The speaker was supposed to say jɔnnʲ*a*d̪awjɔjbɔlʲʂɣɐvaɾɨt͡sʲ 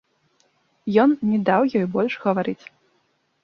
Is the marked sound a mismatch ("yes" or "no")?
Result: yes